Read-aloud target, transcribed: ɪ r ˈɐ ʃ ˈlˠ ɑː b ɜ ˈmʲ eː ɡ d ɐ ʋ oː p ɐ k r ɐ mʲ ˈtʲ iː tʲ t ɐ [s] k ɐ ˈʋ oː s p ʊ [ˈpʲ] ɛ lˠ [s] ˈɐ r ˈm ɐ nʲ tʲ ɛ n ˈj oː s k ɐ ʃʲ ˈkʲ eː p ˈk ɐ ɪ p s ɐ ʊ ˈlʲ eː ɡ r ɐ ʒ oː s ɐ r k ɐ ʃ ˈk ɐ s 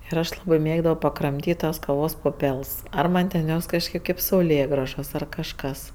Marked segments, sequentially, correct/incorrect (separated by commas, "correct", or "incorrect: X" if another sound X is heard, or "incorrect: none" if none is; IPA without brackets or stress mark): correct, correct, correct